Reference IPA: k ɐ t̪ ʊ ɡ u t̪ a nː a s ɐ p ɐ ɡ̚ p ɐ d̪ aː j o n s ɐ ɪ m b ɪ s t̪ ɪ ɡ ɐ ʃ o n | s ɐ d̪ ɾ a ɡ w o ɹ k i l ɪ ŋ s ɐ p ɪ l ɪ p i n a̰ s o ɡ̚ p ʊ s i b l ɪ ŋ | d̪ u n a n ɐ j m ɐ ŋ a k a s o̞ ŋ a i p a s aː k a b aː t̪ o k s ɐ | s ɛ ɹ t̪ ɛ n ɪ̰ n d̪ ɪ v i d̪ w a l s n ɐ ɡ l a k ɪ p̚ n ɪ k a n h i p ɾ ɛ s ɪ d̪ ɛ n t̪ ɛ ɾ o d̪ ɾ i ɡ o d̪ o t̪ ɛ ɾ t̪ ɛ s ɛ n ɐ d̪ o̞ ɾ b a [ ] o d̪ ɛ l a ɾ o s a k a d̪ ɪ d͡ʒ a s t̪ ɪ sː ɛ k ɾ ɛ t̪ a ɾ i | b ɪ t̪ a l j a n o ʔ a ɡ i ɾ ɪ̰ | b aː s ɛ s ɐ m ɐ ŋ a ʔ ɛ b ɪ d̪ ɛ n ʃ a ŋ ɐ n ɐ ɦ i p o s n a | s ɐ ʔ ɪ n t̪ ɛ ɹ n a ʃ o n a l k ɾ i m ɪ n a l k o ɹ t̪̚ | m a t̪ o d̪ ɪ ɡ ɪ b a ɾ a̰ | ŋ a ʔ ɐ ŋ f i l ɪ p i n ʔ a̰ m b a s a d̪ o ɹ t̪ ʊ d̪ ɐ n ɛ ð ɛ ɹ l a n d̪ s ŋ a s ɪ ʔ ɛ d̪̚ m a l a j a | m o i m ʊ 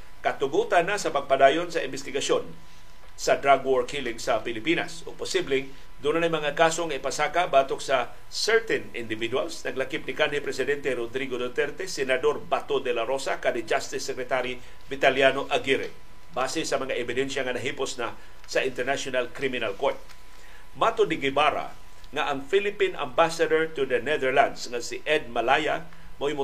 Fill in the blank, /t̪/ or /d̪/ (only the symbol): t̪